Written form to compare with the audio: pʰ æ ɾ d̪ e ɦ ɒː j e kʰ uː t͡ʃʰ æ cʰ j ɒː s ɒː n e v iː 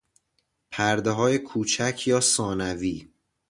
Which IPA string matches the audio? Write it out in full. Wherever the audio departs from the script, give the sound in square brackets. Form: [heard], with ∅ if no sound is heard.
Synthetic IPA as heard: pʰ æ ɾ d̪ e ɦ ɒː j e kʰ uː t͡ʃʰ æ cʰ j ɒː s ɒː n [æ] v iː